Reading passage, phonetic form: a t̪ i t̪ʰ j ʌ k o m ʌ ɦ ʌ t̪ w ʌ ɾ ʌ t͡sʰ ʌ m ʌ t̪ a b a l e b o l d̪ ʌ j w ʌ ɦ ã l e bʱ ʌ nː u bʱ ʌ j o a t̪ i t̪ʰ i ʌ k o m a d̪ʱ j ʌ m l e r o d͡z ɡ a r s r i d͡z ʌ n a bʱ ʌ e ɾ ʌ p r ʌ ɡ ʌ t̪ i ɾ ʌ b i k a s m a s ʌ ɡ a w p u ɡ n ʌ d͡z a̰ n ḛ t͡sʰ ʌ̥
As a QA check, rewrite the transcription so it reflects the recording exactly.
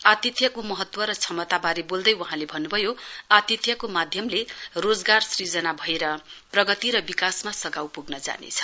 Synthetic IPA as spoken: a t̪ i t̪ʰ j ʌ k o m ʌ ɦ ʌ t̪ w ʌ ɾ ʌ t͡sʰ ʌ m ʌ t̪ a b a ɾ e b o l d̪ ʌ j w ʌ ɦ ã l e bʱ ʌ nː u bʱ ʌ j o a t̪ i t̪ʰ j ʌ k o m a d̪ʱ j ʌ m l e r o d͡z ɡ a r s r i d͡z ʌ n a bʱ ʌ e ɾ ʌ p r ʌ ɡ ʌ t̪ i ɾ ʌ b i k a s m a s ʌ ɡ a w p u ɡ n ʌ d͡z a̰ n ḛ t͡sʰ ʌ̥